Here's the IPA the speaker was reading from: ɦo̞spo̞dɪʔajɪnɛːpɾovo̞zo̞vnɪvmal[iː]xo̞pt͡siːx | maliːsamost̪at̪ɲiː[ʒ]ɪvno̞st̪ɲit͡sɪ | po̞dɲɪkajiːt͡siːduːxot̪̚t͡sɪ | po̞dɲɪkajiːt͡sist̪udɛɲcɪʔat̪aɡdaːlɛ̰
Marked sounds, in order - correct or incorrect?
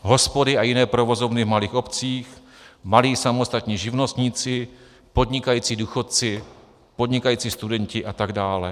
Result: correct, correct

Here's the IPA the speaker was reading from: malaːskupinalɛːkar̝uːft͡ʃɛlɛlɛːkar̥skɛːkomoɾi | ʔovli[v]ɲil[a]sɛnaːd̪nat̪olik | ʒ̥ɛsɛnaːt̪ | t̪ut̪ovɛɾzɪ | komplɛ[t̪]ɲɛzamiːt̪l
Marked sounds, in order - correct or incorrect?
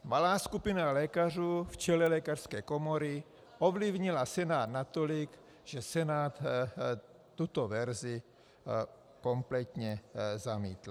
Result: correct, correct, correct

